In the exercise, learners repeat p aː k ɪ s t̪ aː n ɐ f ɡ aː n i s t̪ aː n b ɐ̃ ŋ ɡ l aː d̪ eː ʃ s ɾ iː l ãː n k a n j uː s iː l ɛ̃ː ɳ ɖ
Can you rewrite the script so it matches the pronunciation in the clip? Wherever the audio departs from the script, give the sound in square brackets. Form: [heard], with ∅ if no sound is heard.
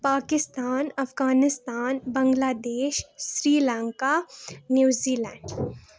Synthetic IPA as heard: p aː k ɪ s t̪ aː n ɐ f ɡ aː n [ɪ] s t̪ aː n b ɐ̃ ŋ ɡ l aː d̪ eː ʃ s ɾ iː l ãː [ŋ] k a n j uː [z] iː l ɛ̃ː ɳ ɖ

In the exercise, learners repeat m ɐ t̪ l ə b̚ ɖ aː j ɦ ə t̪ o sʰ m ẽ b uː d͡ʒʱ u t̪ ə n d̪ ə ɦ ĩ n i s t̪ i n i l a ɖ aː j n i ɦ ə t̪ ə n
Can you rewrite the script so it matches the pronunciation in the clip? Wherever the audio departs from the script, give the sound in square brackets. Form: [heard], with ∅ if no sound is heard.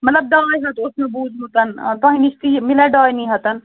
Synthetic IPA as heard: m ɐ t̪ l ə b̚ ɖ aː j ɦ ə t̪ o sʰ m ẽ b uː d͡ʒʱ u t̪ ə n [t̪] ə ɦ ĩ n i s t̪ i [m] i l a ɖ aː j n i ɦ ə t̪ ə n

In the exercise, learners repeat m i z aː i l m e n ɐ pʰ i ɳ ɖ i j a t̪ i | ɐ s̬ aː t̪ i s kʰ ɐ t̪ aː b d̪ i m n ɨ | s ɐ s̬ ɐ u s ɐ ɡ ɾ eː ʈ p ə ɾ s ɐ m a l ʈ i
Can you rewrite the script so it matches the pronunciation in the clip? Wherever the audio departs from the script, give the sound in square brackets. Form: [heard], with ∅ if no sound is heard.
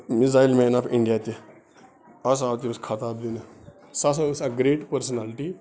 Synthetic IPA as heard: m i z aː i l m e n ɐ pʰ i ɳ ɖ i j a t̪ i | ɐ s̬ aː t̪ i s kʰ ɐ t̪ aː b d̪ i [∅] n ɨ | s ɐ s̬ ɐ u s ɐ ɡ ɾ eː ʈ p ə ɾ s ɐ [n] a l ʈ i

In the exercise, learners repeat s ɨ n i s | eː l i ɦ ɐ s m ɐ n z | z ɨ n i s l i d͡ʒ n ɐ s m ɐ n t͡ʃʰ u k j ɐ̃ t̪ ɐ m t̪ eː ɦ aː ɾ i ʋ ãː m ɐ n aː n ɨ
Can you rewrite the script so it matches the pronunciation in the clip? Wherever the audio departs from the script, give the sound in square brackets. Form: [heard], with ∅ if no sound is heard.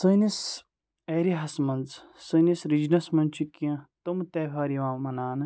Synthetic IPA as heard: s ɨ n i s | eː [ɾ] i ɦ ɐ s m ɐ n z | [s] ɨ n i s [ɾ] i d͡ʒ n ɐ s m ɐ n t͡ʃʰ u k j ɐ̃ t̪ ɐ m t̪ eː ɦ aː ɾ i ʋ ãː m ɐ n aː n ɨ

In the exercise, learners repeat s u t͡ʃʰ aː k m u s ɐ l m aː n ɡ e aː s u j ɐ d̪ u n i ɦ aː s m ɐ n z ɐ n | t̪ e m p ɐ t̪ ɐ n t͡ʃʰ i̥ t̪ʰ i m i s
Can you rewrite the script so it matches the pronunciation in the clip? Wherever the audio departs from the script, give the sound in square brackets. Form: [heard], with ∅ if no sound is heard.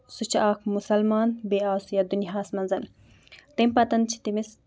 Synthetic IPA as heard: s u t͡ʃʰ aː k m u s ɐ l m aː n [b] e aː s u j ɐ d̪ u n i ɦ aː s m ɐ n z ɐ n | t̪ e m p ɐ t̪ ɐ n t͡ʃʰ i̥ [t̪] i m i s

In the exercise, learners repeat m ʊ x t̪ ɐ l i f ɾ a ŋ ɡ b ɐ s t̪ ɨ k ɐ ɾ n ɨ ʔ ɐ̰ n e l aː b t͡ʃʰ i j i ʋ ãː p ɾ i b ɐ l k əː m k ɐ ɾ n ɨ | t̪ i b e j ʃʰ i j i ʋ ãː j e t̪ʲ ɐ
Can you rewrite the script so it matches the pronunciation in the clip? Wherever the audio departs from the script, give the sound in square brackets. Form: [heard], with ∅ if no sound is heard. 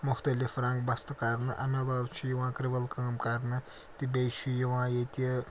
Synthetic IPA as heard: m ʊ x t̪ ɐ l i f ɾ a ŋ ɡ b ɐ s t̪ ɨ k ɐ ɾ n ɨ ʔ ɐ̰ [m] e l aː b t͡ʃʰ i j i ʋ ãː [k] ɾ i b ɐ l k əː m k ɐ ɾ n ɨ | t̪ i b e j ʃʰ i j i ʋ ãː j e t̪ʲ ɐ

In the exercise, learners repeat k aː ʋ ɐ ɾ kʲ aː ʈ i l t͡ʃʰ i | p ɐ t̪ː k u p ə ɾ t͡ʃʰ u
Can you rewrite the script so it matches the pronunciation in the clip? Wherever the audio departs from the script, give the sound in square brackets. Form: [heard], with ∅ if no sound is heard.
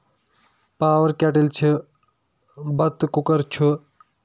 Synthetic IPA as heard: [p] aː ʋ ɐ ɾ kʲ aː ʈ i l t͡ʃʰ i | [b] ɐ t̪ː k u [k] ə ɾ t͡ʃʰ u

